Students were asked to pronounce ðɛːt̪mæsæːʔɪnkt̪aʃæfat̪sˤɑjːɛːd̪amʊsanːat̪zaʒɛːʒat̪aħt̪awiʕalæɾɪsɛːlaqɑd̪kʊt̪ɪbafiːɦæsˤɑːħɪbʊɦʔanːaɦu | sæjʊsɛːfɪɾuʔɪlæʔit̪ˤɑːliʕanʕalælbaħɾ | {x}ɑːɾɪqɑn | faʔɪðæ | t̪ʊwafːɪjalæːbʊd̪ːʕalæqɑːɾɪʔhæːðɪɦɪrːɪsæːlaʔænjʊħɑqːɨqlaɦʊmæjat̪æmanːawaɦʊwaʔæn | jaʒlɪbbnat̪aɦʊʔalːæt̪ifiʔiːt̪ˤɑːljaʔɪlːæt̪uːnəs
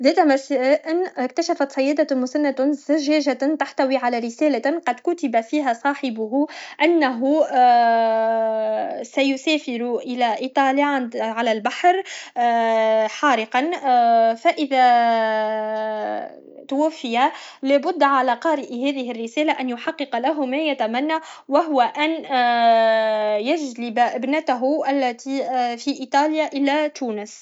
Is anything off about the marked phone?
yes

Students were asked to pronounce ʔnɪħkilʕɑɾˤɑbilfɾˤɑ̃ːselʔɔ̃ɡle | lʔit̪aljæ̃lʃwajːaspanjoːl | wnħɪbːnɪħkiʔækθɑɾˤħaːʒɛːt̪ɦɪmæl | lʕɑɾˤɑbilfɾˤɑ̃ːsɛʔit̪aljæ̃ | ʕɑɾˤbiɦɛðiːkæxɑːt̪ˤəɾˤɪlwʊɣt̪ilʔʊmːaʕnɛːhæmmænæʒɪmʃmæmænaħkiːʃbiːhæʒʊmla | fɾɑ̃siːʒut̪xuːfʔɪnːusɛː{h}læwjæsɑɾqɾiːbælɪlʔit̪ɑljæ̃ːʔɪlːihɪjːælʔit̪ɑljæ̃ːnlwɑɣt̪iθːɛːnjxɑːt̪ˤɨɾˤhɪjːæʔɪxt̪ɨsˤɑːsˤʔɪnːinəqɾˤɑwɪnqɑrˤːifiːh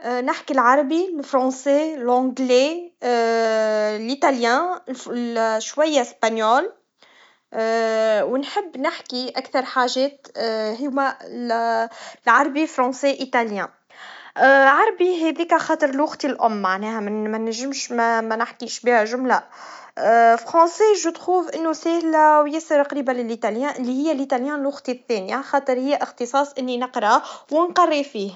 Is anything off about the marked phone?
no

